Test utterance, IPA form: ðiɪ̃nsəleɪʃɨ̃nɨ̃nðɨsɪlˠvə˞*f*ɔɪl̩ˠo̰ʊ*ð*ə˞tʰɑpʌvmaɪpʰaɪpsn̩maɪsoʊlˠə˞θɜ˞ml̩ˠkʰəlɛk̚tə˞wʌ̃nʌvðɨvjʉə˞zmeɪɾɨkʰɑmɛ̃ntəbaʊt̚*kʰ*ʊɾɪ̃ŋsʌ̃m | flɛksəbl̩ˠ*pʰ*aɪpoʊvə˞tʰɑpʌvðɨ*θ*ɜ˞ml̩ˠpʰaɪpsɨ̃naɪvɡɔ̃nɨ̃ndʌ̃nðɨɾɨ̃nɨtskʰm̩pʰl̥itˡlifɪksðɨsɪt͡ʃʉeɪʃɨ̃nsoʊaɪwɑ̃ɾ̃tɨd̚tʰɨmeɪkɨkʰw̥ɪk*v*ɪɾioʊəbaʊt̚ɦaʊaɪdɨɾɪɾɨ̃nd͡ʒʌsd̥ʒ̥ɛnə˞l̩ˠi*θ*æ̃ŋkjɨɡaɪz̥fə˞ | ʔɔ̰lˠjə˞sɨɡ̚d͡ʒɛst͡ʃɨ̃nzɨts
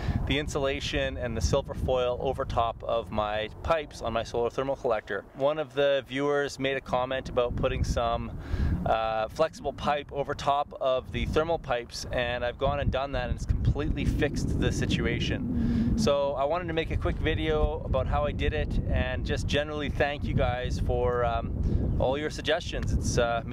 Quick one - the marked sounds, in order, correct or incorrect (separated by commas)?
correct, incorrect, incorrect, correct, correct, correct, correct